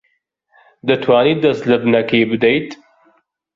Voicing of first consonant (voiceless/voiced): voiced